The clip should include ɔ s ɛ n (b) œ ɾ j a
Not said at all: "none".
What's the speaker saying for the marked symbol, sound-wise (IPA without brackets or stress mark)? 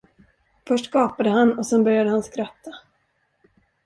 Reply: b